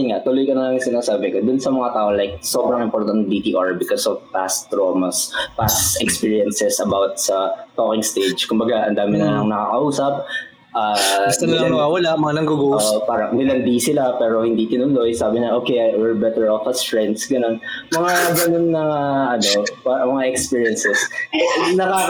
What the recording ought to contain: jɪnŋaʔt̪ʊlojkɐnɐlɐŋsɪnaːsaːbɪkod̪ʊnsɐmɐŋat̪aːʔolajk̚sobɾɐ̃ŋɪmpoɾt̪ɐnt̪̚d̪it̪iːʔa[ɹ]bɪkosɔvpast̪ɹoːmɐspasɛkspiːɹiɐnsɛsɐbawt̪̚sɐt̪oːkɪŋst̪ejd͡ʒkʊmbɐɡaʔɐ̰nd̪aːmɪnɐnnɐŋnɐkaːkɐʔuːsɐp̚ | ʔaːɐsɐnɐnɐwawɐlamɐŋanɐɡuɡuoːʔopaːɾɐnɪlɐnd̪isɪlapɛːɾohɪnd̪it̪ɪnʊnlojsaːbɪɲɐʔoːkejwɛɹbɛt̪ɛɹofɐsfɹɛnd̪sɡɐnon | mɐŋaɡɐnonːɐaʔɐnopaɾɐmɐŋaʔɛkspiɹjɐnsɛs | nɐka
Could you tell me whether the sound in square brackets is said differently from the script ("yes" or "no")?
no